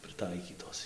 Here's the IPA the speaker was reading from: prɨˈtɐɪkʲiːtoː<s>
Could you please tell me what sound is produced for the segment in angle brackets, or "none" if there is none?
s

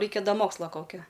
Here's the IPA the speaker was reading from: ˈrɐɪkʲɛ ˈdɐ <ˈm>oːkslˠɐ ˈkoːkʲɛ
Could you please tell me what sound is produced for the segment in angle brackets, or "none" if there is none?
m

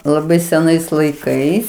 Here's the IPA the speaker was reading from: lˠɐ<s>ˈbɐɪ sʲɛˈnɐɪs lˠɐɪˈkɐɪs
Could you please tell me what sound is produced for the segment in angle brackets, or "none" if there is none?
none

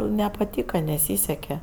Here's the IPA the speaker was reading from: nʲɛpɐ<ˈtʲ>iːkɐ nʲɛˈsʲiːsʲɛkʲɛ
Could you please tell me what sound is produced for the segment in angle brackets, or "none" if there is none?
tʲ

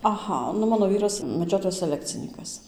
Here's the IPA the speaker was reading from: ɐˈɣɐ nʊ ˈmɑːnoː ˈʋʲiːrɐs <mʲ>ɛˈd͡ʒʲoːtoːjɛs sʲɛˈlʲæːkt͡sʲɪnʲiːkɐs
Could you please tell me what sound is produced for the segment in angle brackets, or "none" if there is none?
mʲ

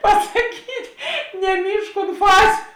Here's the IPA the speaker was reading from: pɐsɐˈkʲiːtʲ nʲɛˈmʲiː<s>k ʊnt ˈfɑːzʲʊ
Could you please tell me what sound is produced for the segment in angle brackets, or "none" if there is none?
ʃ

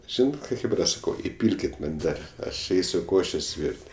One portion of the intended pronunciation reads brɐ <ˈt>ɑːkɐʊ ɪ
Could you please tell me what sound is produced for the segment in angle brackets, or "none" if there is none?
s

